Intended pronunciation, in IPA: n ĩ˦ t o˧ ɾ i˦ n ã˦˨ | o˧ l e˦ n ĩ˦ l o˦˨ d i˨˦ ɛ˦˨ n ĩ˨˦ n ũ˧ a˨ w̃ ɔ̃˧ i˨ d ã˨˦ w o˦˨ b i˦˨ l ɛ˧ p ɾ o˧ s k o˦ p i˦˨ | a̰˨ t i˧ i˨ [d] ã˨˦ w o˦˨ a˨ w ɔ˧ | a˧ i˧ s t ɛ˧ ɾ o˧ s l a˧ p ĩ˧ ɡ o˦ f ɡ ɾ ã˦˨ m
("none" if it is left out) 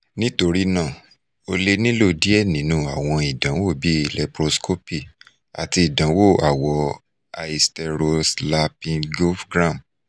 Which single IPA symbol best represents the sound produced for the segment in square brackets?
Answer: d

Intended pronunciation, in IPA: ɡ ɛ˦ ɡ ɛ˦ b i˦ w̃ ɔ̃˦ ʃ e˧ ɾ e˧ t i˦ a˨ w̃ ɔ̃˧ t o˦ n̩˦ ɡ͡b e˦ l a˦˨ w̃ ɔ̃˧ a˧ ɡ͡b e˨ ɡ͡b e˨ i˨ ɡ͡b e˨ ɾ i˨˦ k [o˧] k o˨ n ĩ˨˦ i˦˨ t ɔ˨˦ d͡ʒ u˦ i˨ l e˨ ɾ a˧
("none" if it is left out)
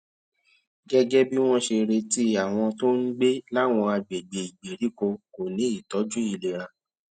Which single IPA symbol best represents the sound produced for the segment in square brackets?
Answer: o˧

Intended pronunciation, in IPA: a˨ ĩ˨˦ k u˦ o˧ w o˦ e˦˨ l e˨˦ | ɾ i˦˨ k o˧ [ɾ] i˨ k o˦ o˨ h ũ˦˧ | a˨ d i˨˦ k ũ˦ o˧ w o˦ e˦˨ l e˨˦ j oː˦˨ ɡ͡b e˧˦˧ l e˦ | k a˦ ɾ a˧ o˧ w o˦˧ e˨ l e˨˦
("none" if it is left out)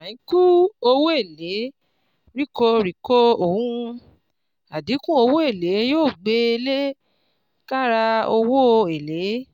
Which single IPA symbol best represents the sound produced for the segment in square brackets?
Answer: ɾ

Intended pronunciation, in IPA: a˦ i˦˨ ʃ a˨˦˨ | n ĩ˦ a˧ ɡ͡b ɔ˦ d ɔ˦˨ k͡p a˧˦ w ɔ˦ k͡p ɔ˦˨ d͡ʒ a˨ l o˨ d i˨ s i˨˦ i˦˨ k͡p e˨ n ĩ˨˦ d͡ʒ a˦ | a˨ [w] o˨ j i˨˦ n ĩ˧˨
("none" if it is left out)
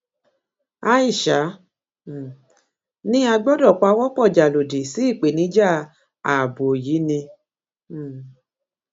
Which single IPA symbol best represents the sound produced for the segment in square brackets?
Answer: b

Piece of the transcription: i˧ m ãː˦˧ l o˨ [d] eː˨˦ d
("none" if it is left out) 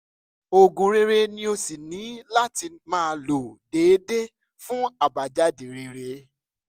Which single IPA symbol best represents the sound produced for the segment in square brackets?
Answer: d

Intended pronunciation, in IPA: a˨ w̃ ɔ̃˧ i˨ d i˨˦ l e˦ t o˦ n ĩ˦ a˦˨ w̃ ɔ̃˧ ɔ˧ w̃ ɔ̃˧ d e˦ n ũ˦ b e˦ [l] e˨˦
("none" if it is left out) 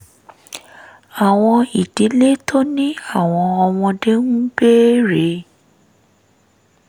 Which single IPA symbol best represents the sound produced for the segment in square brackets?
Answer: ɾ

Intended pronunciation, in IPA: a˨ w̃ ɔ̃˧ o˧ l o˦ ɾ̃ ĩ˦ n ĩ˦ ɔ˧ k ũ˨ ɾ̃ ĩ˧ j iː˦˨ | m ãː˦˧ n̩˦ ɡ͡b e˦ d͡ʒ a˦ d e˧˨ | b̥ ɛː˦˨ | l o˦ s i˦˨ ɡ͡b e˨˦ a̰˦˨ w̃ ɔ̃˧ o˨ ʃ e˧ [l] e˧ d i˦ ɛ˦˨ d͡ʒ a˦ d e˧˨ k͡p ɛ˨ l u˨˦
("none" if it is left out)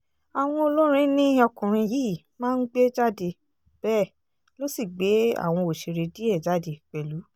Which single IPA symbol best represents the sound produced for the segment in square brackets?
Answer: ɾ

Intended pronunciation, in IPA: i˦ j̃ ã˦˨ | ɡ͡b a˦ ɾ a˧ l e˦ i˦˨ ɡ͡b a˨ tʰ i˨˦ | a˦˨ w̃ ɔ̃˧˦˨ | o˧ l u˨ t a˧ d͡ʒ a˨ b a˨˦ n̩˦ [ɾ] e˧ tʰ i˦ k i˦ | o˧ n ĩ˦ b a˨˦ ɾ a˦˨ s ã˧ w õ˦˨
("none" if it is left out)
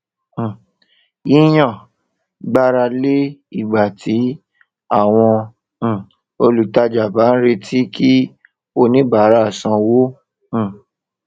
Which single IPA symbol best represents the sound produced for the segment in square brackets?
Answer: ɾ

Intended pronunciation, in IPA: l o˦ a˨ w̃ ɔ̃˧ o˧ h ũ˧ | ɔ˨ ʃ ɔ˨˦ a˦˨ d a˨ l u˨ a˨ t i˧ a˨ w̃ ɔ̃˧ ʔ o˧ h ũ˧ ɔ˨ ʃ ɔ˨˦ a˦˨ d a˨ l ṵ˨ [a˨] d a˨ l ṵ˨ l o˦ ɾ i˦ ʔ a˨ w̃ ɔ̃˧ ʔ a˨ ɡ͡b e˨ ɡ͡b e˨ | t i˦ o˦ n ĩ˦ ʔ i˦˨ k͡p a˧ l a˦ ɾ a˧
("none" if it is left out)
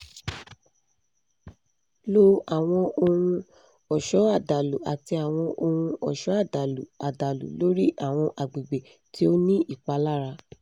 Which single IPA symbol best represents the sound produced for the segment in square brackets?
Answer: a˨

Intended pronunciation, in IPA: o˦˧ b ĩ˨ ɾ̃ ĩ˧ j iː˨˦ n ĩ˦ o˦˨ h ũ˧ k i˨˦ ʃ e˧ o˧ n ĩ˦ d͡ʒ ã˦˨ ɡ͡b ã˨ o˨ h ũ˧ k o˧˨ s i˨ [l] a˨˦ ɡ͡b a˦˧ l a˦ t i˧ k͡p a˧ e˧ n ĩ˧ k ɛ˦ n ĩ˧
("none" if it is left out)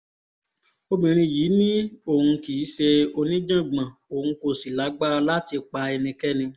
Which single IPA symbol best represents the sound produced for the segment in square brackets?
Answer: l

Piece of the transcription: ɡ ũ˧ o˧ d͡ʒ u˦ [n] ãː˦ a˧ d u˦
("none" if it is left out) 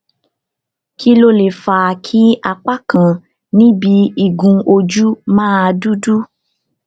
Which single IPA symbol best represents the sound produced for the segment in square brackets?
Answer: m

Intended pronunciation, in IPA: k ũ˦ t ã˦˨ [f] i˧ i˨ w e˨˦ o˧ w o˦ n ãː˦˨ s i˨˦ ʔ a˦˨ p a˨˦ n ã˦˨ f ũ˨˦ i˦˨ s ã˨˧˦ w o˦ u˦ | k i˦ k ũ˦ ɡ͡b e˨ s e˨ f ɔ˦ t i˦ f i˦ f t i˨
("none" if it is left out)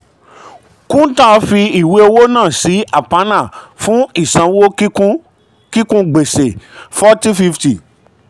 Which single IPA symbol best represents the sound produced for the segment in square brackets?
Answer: f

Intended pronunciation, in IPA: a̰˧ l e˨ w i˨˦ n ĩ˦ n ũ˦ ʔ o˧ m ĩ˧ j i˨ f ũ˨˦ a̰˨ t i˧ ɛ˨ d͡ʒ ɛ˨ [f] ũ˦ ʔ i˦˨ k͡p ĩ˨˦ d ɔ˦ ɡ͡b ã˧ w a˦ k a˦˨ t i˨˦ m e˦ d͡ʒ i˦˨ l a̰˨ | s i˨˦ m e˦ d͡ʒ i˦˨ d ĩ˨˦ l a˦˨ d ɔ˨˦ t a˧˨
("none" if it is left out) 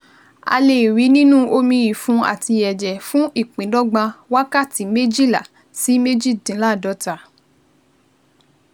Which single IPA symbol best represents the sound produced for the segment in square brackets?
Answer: f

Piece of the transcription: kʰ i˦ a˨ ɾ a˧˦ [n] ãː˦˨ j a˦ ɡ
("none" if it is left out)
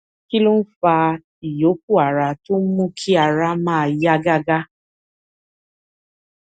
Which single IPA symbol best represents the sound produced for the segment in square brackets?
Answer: m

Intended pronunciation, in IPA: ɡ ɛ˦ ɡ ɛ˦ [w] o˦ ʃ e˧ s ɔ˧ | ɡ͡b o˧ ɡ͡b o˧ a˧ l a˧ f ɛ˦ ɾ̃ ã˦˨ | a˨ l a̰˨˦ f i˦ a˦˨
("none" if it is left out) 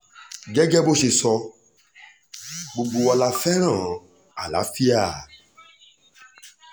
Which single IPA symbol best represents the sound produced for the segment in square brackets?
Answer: b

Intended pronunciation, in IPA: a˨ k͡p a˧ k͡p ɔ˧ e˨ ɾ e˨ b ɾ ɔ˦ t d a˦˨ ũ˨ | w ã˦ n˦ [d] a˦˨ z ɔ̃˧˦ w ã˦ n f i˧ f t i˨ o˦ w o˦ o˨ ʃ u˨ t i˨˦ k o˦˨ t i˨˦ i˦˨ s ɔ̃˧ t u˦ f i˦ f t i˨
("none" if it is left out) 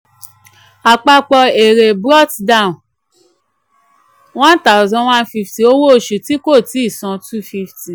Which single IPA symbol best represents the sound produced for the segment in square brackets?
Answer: t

